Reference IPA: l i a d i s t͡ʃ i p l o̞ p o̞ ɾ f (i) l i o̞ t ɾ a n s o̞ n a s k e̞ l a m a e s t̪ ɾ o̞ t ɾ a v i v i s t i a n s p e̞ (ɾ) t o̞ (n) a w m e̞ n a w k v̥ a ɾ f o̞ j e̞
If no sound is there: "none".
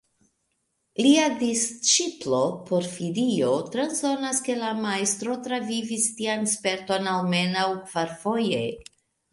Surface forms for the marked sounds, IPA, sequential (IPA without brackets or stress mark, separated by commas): i, ɾ, n